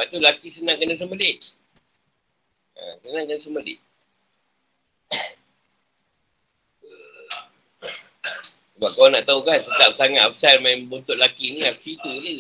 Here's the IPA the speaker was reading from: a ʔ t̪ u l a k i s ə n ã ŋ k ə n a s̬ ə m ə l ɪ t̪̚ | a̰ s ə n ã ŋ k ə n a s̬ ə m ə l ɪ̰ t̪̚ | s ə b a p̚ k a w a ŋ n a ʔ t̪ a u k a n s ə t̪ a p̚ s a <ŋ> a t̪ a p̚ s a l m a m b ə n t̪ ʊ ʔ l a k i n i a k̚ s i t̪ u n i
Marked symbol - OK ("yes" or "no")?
yes